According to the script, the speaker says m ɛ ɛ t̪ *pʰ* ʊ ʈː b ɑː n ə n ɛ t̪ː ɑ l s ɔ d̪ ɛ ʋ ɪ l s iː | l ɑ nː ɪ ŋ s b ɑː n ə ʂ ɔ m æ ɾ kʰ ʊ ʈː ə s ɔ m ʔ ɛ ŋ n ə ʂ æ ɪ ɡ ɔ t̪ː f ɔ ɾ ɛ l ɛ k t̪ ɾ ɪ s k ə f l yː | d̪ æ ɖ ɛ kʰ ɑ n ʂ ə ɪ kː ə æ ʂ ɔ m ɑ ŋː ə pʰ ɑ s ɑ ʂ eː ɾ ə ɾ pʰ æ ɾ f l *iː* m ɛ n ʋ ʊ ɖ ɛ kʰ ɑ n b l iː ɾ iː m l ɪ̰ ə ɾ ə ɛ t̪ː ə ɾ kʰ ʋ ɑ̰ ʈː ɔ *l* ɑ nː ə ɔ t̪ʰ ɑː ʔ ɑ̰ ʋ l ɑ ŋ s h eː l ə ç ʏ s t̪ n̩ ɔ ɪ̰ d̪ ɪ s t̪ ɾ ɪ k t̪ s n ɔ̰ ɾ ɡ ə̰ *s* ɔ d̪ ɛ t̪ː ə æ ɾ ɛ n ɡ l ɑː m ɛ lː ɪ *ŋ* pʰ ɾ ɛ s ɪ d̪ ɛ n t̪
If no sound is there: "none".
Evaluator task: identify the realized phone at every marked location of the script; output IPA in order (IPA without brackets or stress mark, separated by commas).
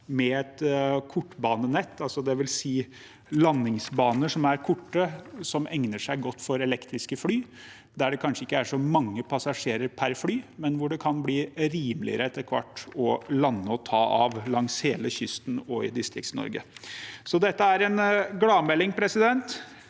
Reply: kʰ, yː, l, s, ŋ